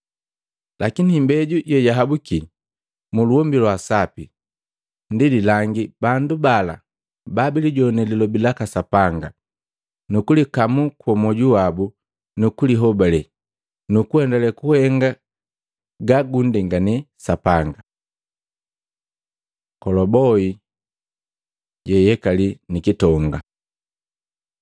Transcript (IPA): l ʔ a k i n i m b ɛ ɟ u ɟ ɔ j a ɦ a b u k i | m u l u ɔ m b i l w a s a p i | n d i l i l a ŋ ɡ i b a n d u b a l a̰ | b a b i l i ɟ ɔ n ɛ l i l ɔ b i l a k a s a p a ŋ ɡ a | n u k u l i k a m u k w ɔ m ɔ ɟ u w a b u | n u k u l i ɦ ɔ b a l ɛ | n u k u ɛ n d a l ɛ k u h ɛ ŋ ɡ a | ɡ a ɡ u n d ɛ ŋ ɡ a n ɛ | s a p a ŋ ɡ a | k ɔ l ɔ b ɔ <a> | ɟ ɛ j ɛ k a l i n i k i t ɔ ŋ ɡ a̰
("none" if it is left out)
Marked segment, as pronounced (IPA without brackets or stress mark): i